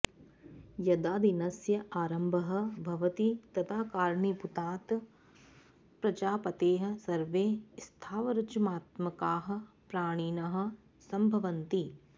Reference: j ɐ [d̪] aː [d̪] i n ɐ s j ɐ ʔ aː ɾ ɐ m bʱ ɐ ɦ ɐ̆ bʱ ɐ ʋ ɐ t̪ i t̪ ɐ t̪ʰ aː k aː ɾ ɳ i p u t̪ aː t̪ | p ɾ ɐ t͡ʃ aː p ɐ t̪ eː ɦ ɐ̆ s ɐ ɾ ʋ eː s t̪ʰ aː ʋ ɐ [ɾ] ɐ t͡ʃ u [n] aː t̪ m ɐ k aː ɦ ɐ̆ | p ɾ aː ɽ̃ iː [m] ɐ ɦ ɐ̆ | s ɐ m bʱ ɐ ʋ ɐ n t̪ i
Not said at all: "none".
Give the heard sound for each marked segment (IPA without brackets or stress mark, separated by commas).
d̪, d̪, ɾ, m, n